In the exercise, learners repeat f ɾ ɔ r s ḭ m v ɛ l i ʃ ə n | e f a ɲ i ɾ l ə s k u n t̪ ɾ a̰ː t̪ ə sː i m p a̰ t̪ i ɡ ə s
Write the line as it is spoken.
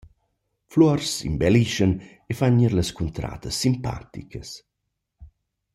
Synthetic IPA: f l ɔ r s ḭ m b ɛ l i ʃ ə n | e f a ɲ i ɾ l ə s k u n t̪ ɾ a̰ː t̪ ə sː i m p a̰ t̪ i k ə s